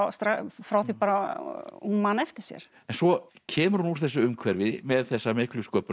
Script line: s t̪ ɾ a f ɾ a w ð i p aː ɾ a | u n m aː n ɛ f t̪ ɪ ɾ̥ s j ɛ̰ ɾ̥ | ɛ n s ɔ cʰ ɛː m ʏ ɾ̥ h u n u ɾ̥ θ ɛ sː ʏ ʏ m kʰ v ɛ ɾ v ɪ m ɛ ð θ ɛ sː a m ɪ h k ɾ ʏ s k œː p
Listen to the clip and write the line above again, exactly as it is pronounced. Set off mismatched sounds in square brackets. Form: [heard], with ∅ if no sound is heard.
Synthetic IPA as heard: s t̪ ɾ a f ɾ a w [θ] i p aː ɾ a | u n m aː n ɛ f t̪ ɪ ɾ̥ s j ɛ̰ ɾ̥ | ɛ n s ɔ cʰ ɛː m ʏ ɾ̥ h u n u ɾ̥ θ ɛ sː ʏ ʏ m kʰ v ɛ ɾ v ɪ m ɛ ð θ ɛ sː a m ɪ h k [l] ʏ s k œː p